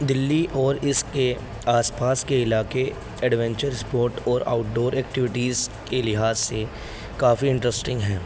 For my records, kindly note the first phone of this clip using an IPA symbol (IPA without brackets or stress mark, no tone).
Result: d̪